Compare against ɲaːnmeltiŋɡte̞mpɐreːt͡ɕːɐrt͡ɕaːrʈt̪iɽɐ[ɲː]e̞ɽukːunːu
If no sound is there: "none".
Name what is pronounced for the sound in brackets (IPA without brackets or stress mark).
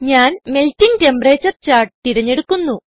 ɲː